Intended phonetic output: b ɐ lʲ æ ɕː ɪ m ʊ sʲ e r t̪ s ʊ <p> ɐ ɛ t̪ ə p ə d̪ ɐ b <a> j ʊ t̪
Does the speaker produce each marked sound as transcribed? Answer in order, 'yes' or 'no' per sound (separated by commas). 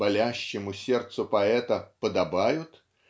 yes, yes